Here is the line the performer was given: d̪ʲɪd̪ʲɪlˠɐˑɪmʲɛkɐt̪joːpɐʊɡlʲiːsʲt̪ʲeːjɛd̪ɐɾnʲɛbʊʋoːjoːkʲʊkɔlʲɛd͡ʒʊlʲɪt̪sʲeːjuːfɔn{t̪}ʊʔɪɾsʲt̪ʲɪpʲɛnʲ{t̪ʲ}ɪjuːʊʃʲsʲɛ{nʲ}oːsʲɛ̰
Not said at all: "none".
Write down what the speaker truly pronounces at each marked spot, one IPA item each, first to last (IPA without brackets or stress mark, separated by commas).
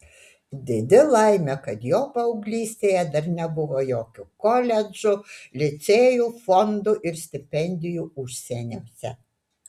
d̪, d̪ʲ, nʲ